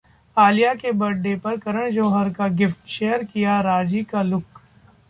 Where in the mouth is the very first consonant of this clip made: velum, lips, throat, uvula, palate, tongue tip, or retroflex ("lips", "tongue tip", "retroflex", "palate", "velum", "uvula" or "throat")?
tongue tip